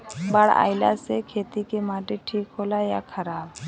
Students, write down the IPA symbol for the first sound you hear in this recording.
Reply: b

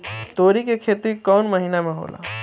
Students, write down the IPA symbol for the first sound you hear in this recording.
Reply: t̪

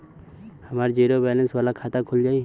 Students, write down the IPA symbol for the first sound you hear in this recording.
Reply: h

